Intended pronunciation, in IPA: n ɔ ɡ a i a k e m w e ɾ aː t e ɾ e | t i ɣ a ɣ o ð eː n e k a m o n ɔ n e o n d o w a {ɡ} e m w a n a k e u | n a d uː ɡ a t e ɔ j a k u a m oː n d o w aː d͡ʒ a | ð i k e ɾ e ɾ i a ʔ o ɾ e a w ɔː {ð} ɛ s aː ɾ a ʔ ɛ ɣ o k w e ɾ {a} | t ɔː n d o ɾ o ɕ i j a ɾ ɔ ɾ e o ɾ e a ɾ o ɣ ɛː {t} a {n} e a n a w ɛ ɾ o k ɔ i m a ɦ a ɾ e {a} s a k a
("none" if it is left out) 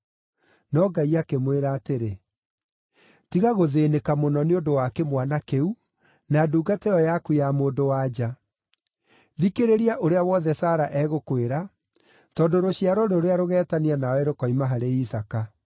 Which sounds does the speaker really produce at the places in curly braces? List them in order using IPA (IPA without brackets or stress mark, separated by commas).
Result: k, ð, a, t, n, i